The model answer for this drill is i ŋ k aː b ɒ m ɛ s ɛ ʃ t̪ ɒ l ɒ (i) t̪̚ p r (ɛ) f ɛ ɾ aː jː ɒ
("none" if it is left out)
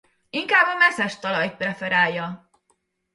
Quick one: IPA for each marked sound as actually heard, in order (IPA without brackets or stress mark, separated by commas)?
j, ɛ